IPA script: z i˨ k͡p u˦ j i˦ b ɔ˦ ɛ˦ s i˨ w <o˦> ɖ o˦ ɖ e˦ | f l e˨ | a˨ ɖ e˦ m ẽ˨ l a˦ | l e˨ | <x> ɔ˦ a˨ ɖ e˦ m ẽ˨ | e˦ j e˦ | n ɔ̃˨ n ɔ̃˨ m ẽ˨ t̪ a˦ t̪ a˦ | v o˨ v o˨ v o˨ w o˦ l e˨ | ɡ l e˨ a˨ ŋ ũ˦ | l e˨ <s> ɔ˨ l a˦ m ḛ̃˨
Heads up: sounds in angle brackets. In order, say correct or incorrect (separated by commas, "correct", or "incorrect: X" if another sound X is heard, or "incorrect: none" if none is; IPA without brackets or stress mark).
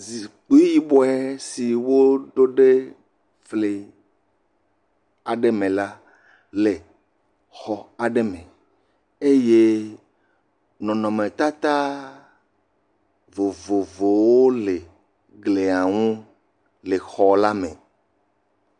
correct, correct, incorrect: x